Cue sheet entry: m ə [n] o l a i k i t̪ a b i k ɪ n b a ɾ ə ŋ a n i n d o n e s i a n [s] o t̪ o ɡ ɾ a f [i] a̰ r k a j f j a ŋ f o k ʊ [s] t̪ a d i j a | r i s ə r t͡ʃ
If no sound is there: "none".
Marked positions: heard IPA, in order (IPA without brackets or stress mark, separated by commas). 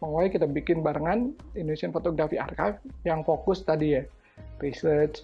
ŋ, f, i, s